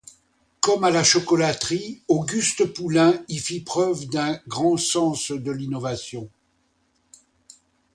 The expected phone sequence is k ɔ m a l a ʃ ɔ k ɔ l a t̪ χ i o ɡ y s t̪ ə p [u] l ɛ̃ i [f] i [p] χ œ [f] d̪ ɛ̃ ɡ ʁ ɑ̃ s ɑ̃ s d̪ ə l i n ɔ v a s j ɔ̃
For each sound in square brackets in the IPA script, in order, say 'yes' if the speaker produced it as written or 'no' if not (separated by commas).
yes, yes, yes, no